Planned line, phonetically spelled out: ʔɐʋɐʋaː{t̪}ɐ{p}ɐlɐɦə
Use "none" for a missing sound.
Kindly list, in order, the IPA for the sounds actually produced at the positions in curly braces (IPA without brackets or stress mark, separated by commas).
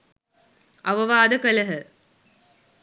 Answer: d̪, k